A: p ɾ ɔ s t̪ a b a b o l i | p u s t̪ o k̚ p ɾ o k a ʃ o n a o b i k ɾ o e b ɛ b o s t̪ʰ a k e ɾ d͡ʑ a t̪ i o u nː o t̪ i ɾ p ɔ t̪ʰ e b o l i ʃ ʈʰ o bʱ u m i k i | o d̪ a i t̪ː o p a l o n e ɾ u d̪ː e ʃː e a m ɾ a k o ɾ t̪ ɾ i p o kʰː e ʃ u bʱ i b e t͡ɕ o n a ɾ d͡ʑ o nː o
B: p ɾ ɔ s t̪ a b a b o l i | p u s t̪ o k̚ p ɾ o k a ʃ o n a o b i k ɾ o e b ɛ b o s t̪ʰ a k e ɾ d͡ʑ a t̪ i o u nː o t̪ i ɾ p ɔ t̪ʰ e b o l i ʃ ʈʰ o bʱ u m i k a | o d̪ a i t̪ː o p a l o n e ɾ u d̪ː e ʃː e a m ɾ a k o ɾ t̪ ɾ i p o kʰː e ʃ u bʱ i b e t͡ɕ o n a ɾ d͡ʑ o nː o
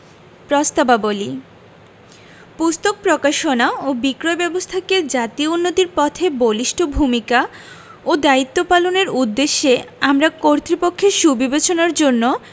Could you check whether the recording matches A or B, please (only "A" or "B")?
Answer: B